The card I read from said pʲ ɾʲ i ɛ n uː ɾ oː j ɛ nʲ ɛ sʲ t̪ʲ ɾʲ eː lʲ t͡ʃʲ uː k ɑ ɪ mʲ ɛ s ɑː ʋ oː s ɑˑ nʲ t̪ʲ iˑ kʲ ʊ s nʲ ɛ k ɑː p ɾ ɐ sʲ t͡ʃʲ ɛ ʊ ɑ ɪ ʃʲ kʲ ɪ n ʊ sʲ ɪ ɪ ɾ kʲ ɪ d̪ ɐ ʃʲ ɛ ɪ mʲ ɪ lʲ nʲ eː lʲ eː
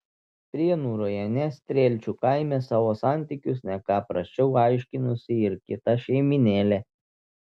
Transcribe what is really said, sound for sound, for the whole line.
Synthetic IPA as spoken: pʲ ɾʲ i ɛ n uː ɾ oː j ɛ nʲ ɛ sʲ t̪ʲ ɾʲ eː lʲ t͡ʃʲ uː k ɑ ɪ mʲ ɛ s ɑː ʋ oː s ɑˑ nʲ t̪ʲ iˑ kʲ ʊ s nʲ ɛ k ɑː p ɾ ɐ sʲ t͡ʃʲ ɛ ʊ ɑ ɪ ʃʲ kʲ ɪ n ʊ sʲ ɪ ɪ ɾ kʲ ɪ t̪ ɐ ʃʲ ɛ ɪ mʲ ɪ nʲ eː lʲ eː